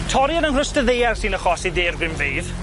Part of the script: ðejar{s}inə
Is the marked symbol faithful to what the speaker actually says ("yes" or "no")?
yes